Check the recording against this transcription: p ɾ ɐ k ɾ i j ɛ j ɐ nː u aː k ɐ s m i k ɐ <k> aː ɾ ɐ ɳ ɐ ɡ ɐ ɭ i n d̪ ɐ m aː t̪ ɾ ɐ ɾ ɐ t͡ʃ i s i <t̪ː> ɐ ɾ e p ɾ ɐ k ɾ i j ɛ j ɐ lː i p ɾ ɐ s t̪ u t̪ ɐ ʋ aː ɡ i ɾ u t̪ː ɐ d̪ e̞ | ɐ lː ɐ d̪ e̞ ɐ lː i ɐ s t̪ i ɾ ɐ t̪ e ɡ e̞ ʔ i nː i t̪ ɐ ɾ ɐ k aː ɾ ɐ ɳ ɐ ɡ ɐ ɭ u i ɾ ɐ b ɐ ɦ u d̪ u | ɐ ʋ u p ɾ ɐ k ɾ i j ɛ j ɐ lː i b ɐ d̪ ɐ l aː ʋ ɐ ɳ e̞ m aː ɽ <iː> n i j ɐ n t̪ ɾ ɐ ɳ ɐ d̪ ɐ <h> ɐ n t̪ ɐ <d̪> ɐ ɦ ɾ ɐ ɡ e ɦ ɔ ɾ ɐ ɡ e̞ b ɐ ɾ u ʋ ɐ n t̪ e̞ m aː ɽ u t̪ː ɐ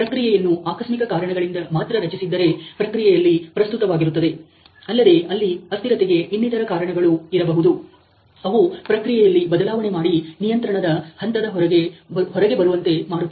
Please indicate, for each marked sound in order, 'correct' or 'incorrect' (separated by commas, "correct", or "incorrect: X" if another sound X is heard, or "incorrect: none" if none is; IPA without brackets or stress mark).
correct, incorrect: d̪ː, incorrect: i, correct, correct